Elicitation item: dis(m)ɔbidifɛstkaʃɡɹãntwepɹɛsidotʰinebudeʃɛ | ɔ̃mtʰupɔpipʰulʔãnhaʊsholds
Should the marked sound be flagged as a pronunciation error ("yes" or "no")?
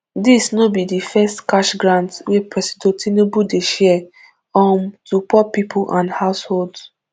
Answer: yes